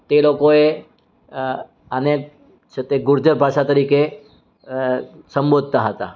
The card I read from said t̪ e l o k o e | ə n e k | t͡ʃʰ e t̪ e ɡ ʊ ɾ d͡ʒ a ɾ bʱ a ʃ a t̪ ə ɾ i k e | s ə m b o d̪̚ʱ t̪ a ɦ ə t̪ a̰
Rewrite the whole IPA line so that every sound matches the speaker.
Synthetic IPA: t̪ e l o k o e | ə n e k | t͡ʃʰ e t̪ e ɡ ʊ ɾ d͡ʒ ə ɾ bʱ a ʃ a t̪ ə ɾ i k e | s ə m b o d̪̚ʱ t̪ a ɦ ə t̪ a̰